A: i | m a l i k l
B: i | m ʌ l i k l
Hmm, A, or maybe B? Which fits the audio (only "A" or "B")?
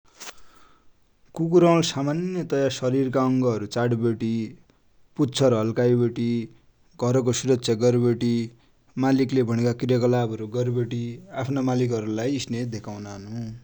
A